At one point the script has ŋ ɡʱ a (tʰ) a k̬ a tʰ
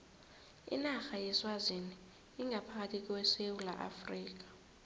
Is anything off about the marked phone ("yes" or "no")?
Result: yes